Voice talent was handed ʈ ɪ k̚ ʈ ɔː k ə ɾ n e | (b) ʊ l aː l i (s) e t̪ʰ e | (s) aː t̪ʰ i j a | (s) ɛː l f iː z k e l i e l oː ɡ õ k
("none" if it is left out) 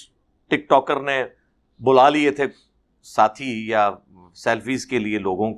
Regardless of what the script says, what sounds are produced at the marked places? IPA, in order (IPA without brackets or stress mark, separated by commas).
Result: b, none, s, s